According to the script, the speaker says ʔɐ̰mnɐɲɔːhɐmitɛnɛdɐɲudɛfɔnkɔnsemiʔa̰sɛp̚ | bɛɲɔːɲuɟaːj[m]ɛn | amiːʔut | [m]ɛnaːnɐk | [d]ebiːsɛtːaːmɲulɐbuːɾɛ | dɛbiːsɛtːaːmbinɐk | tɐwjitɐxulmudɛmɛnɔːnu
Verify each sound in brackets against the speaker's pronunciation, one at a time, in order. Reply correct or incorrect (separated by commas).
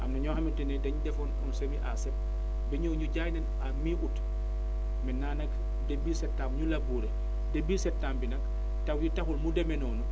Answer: incorrect, correct, correct